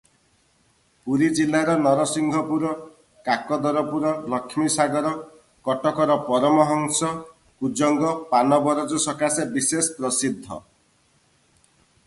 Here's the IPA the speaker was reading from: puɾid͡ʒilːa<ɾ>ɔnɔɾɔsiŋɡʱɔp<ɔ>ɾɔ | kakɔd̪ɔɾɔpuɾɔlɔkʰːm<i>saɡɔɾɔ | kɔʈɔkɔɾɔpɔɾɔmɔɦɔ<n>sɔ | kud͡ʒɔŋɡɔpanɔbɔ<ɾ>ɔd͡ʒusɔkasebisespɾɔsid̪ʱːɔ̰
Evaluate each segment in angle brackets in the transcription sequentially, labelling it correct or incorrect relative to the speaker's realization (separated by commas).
correct, incorrect, correct, incorrect, correct